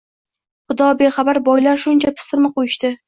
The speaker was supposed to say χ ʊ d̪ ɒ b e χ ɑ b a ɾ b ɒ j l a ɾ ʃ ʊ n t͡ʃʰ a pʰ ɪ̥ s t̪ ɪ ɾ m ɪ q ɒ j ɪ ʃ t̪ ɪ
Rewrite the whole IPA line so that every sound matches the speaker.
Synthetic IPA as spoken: χ ʊ d̪ ɒ b e χ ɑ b a ɾ b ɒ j l a ɾ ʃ ʊ n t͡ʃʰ a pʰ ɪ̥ s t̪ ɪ ɾ m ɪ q o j ɪ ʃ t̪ ɪ